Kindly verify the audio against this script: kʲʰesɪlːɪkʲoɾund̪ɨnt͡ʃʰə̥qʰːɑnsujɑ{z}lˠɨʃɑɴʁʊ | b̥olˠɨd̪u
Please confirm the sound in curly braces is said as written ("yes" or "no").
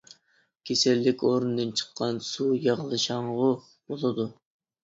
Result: no